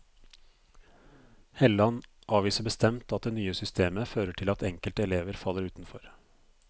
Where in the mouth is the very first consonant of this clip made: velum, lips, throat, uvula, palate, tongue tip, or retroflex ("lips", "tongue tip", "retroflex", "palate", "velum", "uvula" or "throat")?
throat